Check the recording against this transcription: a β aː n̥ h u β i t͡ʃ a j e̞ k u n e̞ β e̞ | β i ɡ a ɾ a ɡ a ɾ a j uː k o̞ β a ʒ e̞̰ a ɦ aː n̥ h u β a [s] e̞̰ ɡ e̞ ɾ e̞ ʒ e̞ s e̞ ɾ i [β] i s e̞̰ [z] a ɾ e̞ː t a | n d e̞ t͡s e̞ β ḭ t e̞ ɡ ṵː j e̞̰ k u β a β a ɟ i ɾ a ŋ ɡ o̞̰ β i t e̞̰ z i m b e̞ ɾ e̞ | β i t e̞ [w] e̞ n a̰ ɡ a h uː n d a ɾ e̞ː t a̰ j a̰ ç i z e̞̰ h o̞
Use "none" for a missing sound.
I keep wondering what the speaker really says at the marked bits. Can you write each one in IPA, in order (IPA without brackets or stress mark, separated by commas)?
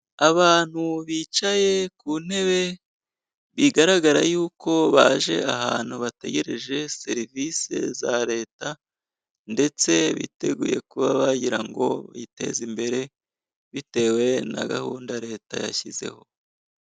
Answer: t, v, z, w